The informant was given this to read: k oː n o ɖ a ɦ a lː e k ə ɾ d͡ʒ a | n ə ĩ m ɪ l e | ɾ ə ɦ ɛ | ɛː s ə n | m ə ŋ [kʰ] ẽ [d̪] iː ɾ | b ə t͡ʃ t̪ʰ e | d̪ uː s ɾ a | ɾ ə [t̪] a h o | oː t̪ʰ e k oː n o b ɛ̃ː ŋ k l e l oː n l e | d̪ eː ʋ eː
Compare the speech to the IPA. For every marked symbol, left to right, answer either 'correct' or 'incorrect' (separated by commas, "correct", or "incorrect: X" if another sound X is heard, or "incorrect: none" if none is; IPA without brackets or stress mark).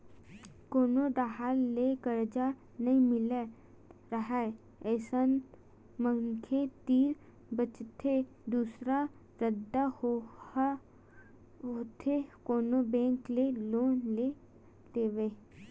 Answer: correct, incorrect: t̪, incorrect: d̪